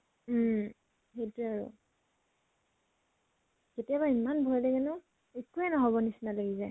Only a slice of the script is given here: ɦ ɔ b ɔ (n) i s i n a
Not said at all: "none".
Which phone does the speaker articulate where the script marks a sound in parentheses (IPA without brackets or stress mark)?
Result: n